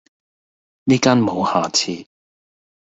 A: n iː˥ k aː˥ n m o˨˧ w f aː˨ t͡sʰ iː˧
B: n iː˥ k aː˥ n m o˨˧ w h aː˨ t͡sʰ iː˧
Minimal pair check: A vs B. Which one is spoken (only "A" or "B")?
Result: B